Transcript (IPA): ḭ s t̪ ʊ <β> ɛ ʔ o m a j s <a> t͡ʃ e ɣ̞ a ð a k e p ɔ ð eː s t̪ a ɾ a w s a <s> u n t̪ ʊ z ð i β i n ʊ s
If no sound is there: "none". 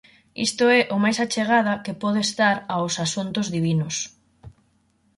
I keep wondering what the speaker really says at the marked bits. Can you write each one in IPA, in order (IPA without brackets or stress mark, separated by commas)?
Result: none, a, s